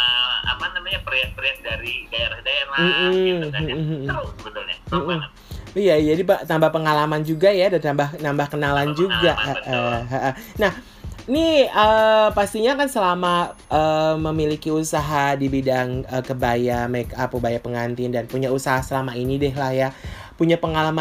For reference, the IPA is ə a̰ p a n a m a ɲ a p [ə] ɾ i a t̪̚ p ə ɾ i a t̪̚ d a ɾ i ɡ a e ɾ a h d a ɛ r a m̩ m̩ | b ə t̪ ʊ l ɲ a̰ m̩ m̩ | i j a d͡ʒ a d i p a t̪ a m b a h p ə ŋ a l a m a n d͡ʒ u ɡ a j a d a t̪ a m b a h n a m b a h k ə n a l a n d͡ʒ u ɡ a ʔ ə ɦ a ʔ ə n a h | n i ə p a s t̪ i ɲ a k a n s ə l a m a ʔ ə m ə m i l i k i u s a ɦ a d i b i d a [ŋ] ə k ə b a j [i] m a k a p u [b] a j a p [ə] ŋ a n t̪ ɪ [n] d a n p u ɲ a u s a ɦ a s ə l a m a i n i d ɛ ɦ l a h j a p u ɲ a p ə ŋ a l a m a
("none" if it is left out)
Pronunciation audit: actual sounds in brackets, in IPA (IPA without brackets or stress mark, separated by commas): ə, ŋ, a, b, ə, n